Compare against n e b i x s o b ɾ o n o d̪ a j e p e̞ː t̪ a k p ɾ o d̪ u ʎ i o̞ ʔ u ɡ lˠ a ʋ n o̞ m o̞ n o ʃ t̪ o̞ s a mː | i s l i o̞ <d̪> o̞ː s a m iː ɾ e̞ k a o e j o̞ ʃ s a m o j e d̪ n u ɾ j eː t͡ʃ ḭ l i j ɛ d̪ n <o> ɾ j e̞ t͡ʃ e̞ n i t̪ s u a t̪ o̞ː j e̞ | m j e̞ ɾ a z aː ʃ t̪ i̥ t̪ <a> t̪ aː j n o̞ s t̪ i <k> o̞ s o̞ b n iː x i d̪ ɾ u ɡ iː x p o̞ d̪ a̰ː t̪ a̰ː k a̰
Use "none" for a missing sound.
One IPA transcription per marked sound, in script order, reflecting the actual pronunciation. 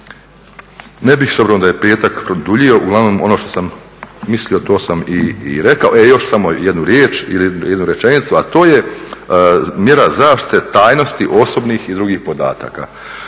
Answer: t̪, u, e, ʔ

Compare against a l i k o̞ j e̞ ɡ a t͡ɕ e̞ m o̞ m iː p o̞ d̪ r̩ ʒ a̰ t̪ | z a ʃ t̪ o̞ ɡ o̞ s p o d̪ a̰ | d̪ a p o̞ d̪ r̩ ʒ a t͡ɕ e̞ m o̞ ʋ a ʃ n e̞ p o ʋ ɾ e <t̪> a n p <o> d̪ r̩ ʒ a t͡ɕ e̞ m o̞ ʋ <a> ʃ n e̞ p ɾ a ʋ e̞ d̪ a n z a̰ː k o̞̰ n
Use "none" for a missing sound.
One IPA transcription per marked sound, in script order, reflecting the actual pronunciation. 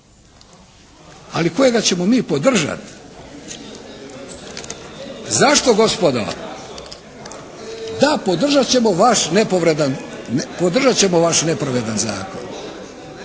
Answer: d̪, o, a

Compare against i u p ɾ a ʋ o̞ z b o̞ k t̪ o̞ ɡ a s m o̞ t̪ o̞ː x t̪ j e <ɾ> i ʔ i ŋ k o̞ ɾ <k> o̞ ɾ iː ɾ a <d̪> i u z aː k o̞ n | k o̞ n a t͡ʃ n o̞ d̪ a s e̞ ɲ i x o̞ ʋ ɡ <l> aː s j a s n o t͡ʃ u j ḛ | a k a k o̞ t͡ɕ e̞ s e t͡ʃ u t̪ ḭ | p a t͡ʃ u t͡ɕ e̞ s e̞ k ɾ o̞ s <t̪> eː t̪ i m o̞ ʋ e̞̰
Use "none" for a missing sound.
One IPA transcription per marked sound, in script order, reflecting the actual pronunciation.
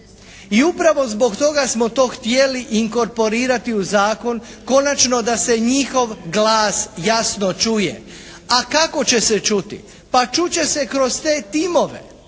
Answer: l, p, t̪, l, t̪

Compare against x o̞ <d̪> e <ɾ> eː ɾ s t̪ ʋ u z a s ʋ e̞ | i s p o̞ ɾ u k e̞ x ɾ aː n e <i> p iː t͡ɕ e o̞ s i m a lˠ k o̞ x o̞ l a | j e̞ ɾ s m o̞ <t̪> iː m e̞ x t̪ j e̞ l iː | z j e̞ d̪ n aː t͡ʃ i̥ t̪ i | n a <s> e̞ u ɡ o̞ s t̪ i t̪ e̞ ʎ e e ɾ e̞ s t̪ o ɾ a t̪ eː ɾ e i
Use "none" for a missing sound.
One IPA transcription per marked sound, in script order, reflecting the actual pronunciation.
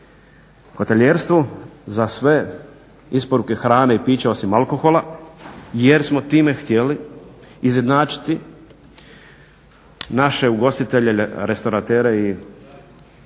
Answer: t̪, ʎ, i, t̪, ʃ

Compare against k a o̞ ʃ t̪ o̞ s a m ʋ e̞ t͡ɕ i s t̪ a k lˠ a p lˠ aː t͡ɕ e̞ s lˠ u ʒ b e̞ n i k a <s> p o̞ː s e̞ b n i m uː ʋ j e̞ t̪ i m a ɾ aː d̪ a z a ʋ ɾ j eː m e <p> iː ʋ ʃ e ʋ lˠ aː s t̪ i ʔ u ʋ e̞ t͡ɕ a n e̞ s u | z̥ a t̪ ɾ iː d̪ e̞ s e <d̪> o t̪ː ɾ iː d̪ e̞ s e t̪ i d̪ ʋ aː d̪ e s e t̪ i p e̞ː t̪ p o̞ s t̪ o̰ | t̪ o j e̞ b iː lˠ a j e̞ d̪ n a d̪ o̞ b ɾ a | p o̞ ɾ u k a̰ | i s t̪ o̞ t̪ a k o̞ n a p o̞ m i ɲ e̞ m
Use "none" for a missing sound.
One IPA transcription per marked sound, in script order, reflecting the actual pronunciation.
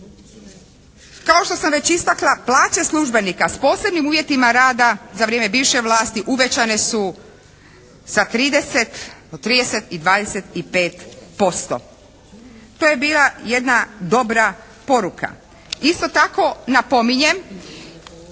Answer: s, b, t̪

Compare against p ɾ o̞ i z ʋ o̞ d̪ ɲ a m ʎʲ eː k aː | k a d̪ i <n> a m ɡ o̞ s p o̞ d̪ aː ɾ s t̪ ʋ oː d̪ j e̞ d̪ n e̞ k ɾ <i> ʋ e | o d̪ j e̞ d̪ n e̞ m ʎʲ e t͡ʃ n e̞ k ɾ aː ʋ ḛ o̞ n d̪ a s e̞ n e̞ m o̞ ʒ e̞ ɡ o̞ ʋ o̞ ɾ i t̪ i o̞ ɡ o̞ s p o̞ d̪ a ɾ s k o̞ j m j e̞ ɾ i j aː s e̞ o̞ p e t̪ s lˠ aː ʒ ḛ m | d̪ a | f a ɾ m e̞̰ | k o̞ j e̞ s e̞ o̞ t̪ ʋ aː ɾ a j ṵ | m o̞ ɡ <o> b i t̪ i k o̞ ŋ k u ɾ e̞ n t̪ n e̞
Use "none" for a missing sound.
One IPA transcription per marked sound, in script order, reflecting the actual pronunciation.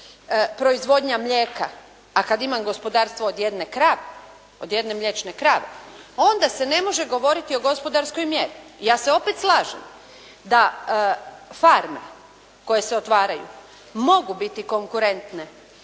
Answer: m, a, u

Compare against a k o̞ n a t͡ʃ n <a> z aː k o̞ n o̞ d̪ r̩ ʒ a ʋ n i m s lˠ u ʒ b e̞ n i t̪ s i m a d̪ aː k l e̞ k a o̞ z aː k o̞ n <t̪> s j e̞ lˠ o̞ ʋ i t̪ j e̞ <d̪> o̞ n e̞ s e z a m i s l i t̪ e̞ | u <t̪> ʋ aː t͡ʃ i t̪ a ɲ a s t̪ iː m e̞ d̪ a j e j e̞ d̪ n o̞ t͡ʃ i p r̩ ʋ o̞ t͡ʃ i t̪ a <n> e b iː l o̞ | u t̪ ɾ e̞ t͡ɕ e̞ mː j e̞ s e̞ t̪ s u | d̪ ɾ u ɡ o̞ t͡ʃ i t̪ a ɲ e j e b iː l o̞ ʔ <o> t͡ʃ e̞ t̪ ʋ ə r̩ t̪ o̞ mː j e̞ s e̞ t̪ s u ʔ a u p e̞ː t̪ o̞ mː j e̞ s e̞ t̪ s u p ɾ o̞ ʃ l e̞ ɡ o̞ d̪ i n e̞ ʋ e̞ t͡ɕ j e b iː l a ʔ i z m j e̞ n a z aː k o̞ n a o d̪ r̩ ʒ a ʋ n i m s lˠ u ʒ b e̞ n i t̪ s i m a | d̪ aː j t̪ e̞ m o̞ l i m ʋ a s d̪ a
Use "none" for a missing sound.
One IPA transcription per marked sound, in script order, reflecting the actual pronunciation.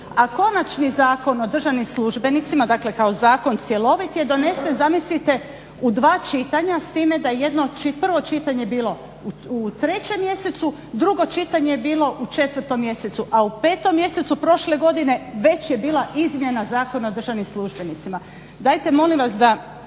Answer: i, t̪, d̪, d̪, ɲ, u

